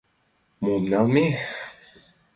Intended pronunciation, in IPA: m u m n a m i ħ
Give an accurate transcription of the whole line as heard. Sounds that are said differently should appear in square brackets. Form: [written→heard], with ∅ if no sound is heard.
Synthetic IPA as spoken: m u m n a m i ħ